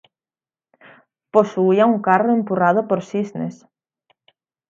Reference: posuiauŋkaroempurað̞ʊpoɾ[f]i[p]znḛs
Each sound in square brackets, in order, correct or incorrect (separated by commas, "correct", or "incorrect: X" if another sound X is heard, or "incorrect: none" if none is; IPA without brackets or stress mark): incorrect: s, incorrect: none